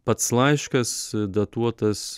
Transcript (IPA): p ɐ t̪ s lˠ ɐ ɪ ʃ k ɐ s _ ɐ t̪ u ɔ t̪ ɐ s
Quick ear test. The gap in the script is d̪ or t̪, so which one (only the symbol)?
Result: d̪